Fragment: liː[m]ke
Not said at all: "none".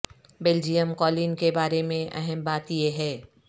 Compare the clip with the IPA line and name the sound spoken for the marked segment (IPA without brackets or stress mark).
n